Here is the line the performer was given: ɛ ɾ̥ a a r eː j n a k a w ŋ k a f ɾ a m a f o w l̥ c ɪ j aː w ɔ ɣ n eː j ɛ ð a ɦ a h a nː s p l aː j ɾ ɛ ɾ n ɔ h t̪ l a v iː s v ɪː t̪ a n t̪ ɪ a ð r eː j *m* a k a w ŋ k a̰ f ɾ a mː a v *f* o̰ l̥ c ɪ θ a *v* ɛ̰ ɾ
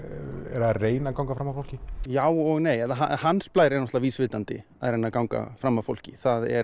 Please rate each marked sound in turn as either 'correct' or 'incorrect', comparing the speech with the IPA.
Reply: incorrect: n, correct, incorrect: ð

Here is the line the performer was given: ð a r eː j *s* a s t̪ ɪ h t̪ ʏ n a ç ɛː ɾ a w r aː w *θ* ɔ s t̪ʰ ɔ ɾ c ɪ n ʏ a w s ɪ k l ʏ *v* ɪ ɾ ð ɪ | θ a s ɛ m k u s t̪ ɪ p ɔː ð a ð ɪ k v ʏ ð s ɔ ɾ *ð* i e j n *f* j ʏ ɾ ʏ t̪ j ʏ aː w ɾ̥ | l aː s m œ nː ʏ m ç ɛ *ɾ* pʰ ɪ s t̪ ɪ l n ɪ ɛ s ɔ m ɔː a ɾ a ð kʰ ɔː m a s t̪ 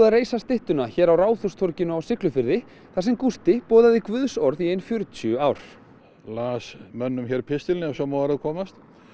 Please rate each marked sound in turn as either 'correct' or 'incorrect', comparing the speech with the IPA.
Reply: correct, correct, incorrect: f, correct, correct, correct

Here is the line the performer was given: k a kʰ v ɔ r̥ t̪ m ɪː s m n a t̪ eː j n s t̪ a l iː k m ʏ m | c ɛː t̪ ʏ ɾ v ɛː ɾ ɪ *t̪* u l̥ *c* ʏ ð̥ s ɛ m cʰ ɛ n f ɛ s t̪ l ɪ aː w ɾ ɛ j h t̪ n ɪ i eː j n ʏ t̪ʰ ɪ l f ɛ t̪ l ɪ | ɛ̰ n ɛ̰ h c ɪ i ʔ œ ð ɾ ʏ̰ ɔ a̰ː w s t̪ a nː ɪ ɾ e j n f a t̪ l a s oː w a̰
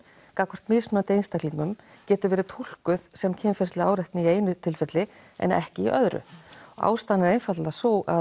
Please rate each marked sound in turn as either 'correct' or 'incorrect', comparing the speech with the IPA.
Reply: incorrect: t̪ʰ, incorrect: k

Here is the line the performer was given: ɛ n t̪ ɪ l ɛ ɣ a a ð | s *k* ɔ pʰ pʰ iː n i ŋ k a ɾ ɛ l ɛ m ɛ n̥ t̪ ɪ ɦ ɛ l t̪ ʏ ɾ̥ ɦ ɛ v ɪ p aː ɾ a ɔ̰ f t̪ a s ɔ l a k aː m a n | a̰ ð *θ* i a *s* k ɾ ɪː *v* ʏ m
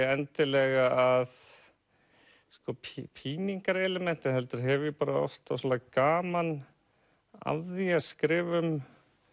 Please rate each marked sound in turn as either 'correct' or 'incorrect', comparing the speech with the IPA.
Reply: correct, incorrect: ð, correct, correct

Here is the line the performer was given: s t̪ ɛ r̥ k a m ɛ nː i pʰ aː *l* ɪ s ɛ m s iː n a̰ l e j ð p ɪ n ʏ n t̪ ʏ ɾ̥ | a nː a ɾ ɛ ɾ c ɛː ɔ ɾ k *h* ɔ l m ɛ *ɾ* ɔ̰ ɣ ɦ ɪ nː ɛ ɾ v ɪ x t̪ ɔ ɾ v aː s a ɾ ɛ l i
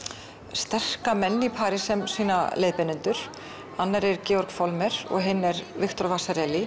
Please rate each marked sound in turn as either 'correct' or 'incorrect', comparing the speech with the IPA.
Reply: incorrect: ɾ, incorrect: f, correct

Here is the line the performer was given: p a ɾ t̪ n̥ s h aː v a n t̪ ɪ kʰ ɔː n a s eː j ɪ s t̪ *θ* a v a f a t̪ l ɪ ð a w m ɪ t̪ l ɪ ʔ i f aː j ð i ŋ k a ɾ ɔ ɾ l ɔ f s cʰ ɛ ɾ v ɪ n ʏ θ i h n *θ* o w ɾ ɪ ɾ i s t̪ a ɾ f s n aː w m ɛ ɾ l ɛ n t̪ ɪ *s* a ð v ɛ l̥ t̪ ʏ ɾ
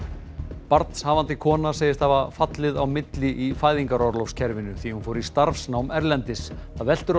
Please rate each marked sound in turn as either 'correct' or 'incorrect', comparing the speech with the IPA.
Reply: incorrect: h, incorrect: f, correct

